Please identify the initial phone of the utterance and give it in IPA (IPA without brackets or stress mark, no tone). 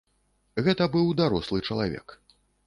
ɣ